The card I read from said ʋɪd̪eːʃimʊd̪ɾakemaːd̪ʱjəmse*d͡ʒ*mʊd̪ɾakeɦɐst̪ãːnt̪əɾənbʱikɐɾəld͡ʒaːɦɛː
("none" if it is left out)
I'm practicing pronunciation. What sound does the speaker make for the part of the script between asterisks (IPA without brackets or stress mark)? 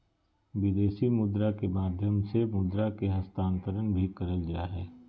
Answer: none